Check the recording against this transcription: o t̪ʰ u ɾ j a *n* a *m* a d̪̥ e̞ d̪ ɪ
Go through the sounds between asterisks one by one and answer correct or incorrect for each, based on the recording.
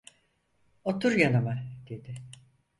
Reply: correct, correct

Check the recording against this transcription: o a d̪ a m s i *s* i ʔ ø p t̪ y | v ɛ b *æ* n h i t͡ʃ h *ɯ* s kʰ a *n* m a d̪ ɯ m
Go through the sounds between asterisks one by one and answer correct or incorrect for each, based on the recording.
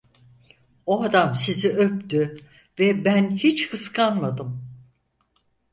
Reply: incorrect, correct, correct, correct

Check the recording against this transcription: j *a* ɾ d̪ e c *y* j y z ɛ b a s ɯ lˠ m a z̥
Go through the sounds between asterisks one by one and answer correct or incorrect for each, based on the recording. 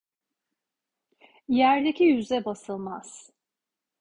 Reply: incorrect, incorrect

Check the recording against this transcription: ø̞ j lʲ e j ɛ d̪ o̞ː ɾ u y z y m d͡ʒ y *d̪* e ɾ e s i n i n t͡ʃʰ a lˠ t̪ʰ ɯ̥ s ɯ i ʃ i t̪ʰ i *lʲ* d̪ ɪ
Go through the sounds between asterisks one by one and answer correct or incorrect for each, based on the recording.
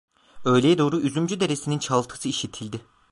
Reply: correct, correct

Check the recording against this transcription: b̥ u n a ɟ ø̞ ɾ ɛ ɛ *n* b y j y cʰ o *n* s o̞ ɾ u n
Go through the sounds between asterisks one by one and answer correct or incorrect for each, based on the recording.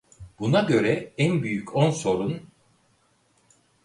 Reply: correct, correct

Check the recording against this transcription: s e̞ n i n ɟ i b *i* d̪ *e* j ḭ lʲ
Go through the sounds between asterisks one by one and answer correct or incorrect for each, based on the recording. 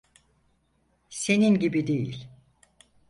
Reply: correct, correct

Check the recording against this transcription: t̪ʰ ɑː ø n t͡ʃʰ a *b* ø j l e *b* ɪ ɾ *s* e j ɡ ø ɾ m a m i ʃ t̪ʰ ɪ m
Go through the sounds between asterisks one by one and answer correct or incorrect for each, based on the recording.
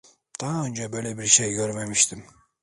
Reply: correct, correct, incorrect

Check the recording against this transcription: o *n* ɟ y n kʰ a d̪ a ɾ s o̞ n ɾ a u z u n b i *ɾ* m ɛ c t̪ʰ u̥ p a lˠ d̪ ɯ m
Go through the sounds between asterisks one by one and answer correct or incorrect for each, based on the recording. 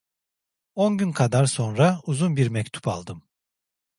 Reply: correct, correct

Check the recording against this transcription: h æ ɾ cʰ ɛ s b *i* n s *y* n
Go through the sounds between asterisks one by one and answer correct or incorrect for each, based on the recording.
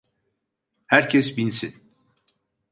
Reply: correct, incorrect

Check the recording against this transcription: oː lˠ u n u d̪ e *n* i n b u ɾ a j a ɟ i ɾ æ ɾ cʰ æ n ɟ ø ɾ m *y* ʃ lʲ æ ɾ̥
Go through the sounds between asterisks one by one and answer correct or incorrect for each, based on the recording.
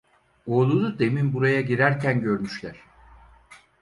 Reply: incorrect, correct

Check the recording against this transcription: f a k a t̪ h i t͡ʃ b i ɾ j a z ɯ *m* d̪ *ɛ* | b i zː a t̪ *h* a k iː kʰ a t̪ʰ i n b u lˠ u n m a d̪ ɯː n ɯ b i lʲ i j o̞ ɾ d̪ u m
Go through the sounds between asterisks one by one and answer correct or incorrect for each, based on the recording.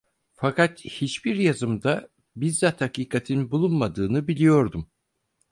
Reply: correct, incorrect, correct

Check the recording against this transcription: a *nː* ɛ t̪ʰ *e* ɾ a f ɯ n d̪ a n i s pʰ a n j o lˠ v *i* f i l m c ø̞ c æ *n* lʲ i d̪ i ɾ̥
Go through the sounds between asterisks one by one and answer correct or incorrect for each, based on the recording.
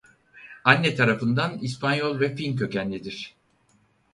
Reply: correct, incorrect, incorrect, correct

